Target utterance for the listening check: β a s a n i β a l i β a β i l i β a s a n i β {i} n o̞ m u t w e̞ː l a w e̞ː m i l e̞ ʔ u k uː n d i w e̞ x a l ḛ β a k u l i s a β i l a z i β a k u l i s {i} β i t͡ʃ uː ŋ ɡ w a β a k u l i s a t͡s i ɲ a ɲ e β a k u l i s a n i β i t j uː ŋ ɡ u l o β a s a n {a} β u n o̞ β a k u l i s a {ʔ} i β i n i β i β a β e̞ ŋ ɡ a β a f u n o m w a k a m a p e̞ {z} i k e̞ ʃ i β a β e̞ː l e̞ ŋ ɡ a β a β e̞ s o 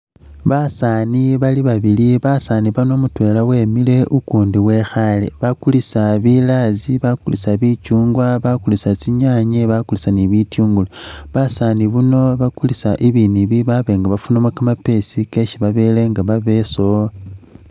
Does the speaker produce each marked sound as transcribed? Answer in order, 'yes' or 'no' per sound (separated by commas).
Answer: no, no, no, yes, no